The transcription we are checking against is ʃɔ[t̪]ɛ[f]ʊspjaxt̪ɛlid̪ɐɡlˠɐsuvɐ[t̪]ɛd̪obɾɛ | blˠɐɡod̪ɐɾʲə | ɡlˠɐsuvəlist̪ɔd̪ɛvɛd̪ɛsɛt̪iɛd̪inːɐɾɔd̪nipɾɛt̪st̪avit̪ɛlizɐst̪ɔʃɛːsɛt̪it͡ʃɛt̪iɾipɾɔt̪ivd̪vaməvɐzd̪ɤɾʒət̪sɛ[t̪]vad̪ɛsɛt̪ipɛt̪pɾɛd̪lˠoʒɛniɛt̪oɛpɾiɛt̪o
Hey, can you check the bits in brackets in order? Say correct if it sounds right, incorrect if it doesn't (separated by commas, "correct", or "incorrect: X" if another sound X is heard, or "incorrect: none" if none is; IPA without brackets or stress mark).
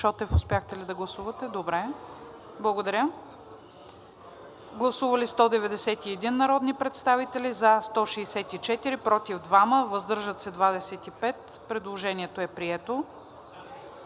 correct, correct, correct, incorrect: d̪